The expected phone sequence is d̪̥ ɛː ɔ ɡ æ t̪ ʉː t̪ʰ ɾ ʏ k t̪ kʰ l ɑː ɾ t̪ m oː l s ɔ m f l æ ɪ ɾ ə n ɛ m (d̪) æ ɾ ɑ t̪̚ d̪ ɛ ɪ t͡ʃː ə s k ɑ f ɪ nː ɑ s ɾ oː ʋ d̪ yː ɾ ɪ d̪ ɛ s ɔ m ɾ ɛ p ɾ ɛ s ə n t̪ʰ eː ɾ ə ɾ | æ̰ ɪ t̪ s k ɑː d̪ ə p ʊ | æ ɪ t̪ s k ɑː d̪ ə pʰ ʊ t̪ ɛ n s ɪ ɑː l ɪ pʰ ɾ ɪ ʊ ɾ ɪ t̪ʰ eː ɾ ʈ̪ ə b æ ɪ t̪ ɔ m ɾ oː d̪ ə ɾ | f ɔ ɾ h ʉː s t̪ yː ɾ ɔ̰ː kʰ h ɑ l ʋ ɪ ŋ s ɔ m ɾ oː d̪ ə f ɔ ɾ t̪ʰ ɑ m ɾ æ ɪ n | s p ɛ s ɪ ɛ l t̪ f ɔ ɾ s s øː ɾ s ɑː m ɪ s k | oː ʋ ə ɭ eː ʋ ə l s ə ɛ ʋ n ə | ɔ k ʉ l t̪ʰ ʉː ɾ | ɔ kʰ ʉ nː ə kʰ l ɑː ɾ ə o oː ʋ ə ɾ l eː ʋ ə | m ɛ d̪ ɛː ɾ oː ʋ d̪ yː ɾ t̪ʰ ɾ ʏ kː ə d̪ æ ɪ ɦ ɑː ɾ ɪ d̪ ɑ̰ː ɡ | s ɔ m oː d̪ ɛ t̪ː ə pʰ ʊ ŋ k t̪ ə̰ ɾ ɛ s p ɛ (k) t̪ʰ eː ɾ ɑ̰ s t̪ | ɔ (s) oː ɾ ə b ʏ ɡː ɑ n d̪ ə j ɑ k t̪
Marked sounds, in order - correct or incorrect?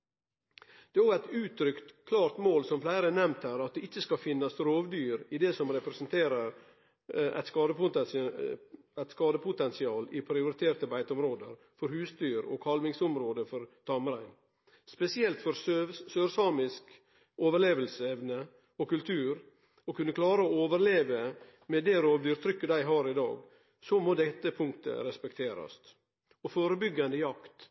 incorrect, correct, incorrect

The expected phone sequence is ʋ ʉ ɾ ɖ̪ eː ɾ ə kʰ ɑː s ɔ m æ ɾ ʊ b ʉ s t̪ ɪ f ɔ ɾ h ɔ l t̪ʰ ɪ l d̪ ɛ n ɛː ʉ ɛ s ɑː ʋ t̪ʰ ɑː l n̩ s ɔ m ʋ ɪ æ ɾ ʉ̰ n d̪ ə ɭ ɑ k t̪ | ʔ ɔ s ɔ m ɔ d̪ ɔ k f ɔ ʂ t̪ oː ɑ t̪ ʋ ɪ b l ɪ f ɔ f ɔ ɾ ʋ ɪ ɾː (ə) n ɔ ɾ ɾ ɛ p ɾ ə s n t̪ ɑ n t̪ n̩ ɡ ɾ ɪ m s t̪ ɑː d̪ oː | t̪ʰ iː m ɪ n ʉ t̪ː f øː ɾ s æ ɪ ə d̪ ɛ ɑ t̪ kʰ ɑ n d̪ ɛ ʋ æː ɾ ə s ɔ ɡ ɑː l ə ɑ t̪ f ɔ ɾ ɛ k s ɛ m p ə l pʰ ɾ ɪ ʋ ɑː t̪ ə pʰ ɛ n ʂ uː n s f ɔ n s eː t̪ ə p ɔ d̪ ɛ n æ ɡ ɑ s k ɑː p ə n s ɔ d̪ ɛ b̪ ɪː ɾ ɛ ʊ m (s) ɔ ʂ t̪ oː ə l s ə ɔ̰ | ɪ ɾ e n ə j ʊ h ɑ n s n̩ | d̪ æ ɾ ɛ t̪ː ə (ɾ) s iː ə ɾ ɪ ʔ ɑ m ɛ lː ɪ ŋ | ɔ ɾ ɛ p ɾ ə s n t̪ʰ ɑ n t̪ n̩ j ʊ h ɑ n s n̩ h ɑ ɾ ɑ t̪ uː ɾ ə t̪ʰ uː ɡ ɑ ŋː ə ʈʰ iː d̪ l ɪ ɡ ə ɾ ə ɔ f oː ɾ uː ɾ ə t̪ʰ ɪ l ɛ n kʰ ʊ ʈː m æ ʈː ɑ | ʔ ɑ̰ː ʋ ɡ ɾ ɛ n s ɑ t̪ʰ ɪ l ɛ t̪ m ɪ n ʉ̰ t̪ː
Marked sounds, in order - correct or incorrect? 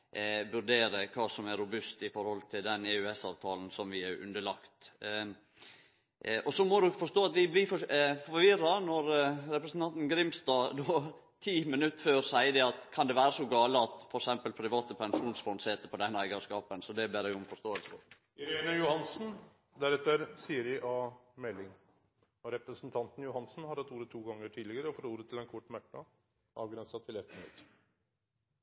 incorrect, incorrect, correct

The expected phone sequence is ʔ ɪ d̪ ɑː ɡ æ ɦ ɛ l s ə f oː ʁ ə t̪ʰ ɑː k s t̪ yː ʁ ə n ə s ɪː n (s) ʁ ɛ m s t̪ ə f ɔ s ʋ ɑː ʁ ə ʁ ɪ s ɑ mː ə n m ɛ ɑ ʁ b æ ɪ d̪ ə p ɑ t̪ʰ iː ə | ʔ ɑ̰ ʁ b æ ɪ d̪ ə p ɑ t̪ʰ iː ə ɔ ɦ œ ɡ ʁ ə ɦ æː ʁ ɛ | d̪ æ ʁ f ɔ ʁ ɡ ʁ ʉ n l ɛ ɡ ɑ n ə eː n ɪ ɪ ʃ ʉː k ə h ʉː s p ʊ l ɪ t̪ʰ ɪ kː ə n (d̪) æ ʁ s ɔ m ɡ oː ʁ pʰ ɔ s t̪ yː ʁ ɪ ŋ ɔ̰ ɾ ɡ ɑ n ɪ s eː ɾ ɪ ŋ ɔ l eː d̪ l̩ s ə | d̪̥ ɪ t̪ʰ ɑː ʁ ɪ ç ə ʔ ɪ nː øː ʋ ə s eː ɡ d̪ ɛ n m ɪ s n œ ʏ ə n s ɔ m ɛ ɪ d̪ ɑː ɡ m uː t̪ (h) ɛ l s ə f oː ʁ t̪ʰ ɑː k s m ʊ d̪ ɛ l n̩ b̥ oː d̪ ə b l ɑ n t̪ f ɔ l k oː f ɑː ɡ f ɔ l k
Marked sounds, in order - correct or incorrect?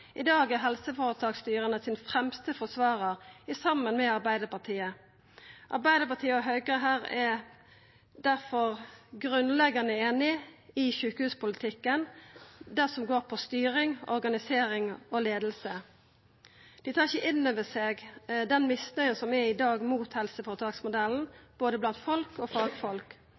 incorrect, correct, correct

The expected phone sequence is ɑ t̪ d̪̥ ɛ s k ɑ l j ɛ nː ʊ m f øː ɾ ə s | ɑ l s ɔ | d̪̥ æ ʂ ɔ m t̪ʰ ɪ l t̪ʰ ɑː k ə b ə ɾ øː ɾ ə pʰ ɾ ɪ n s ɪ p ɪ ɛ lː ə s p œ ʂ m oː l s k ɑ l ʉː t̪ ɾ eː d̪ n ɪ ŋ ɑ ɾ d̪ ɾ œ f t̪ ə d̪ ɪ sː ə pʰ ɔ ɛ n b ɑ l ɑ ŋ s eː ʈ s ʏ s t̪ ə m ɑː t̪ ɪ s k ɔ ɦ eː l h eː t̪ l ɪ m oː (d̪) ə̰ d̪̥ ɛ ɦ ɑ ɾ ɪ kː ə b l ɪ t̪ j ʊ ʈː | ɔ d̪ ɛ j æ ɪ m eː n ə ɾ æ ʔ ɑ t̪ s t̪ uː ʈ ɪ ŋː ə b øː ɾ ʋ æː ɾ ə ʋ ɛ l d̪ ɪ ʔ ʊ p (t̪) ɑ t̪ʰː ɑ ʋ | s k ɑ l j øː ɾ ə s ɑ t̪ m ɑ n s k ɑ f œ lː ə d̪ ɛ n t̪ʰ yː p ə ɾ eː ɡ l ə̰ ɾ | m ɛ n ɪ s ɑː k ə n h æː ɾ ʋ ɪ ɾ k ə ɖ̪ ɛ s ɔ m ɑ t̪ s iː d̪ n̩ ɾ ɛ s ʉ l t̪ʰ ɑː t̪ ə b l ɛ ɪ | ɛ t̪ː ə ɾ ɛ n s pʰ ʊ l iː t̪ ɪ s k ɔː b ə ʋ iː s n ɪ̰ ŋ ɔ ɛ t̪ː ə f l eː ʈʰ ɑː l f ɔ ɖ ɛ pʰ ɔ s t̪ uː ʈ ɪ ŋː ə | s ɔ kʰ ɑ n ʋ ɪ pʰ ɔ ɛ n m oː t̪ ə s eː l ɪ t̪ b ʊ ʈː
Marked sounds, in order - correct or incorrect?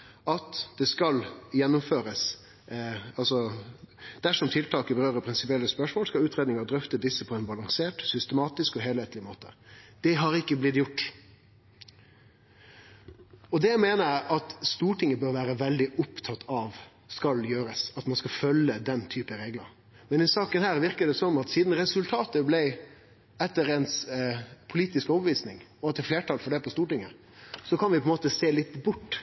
incorrect, incorrect

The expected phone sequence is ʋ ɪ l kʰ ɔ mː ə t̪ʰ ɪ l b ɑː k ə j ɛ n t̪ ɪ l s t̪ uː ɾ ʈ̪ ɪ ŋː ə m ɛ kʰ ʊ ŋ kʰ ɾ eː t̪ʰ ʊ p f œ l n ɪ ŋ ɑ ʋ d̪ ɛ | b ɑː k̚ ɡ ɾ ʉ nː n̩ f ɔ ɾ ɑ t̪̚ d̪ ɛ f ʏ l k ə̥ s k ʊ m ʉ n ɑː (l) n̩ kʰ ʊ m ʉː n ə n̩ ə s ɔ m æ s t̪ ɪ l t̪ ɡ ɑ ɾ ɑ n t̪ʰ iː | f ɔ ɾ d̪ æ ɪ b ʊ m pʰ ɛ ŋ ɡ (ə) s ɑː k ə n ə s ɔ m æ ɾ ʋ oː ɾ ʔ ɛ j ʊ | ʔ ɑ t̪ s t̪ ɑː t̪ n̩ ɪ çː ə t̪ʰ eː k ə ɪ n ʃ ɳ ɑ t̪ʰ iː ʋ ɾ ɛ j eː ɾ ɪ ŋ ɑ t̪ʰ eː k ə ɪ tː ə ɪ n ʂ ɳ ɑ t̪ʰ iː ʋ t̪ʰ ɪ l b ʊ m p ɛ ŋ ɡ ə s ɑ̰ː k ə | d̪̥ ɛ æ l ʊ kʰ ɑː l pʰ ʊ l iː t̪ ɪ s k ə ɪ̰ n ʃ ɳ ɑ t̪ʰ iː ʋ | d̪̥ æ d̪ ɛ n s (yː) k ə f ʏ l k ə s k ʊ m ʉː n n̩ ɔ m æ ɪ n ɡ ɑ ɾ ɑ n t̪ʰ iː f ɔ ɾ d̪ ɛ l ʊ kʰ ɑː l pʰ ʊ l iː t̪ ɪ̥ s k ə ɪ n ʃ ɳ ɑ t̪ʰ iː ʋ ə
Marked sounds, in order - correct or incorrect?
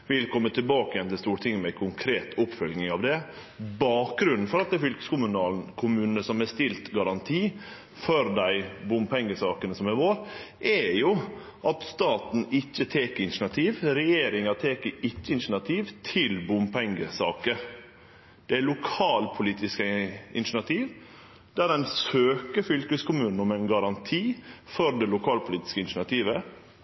correct, correct, incorrect

